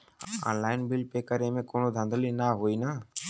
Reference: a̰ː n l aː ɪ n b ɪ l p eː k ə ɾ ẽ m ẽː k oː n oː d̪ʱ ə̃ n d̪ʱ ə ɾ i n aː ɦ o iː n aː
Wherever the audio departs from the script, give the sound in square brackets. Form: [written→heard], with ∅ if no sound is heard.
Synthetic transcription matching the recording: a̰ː n l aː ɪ n b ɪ l p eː k ə ɾ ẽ m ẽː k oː n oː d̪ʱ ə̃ n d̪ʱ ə [ɾ→l] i n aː ɦ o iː n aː